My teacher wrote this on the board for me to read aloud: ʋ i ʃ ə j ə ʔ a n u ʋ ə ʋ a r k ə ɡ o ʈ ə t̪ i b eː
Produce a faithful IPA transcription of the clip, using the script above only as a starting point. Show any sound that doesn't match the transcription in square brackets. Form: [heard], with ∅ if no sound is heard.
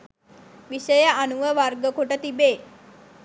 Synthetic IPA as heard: ʋ i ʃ ə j ə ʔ a n u ʋ ə ʋ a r [ɡ] ə [k] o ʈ ə t̪ i b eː

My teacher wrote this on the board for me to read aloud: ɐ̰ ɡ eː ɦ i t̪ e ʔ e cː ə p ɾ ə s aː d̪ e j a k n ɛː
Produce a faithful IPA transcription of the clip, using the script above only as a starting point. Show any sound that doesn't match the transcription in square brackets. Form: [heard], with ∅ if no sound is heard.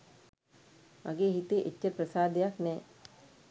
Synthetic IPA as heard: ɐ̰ ɡ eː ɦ i t̪ e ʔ e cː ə p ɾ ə s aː d̪ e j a k n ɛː

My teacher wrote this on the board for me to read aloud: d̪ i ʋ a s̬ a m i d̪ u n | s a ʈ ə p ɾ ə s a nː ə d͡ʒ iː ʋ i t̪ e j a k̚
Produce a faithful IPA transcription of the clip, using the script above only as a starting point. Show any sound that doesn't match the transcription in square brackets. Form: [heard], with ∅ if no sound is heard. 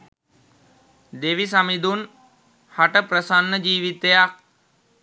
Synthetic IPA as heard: d̪ [e] ʋ [i] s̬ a m i d̪ u n | [h] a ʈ ə p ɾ ə s a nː ə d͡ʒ iː ʋ i t̪ e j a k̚

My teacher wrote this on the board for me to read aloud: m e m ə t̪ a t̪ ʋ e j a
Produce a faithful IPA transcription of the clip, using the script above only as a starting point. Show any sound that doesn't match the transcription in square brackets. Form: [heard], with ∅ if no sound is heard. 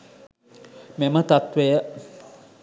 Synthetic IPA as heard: m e m ə t̪ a t̪ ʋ e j [ə]

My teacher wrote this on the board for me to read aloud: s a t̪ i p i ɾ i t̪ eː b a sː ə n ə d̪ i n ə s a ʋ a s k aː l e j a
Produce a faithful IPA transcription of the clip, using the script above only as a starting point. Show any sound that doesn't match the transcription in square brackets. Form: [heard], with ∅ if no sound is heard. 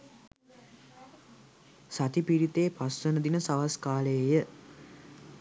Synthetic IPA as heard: s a t̪ i p i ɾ i t̪ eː [p] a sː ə n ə d̪ i n ə s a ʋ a s k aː l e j [ə]

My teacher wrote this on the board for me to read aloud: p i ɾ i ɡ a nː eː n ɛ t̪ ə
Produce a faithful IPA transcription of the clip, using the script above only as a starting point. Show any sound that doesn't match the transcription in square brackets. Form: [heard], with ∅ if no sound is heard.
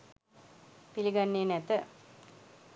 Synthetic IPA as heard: p i [l] i ɡ a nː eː n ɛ t̪ ə

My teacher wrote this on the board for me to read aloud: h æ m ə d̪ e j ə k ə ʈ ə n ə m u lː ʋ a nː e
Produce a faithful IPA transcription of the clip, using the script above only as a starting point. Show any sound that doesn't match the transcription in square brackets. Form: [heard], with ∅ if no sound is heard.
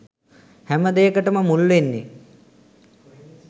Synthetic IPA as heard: h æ m ə d̪ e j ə k ə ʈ ə [m] ə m u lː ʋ [e] nː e

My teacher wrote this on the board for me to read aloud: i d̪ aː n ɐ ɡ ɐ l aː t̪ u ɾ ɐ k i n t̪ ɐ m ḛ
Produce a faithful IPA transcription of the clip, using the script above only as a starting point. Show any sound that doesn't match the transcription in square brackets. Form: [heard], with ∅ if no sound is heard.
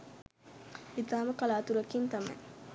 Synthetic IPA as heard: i [t̪] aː [m] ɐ [k] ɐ l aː t̪ u ɾ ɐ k i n t̪ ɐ m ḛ

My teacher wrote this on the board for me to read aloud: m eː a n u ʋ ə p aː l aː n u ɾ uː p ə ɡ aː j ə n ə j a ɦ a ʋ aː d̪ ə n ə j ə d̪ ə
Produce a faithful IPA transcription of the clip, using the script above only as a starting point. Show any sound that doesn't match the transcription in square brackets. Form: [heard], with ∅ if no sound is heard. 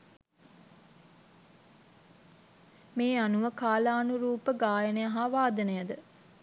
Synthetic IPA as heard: m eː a n u ʋ ə [k] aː l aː n u ɾ uː p ə ɡ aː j ə n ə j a ɦ a ʋ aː d̪ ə n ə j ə d̪ ə

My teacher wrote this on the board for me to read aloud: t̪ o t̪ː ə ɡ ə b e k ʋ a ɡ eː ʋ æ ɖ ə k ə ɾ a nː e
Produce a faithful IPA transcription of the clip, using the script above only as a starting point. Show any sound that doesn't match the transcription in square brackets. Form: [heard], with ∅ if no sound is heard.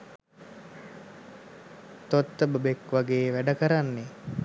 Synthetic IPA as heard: t̪ o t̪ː ə [b] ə b e k ʋ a ɡ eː ʋ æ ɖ ə k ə ɾ a nː e

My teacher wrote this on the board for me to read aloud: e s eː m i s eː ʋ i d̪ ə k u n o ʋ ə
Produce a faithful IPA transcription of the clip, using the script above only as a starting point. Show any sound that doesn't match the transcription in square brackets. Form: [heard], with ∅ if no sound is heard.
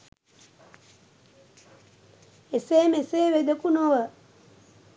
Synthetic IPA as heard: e s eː m [e] s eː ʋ [e] d̪ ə k u n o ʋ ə

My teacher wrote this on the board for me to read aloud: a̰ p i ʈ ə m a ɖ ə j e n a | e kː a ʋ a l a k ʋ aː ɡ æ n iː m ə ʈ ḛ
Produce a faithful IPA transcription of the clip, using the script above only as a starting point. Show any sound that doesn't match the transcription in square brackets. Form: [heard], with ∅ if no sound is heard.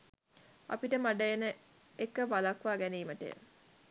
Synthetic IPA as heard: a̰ p i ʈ ə m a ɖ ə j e n [ə] | e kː [ə] ʋ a l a k ʋ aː ɡ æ n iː m ə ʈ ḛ

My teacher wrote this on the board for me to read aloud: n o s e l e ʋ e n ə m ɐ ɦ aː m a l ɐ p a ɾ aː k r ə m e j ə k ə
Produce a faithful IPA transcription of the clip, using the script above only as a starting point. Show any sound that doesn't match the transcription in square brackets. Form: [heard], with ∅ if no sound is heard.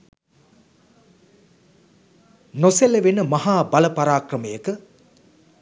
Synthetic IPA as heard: n o s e l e ʋ e n ə m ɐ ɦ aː [b] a l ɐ p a ɾ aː k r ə m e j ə k ə

